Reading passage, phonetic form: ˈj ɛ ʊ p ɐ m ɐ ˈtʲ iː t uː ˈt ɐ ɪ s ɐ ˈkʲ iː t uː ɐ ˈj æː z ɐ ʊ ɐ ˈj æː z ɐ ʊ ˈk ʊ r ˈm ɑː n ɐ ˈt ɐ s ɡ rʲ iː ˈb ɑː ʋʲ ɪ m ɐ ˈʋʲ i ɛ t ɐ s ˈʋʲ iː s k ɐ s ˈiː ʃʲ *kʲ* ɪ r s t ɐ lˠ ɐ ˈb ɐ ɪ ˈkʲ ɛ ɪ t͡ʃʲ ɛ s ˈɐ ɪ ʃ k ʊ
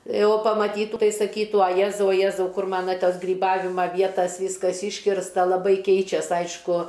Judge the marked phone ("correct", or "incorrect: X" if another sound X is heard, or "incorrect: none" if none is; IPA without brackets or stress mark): correct